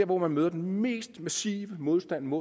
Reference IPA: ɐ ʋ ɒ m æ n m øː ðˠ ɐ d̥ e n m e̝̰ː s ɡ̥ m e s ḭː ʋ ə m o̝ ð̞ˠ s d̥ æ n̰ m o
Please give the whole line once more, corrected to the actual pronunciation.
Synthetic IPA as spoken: ɐ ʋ ɒ m æ n m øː ðˠ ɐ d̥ e n m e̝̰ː s d̥ m æ s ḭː ʋ ə m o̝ ð̞ˠ s d̥ æ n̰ m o